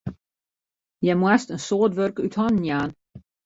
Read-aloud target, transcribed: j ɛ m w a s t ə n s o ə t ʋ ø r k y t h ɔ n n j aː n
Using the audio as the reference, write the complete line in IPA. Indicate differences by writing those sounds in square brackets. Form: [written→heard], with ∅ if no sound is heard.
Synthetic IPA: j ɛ m w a s t ə n s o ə t ʋ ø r k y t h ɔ n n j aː n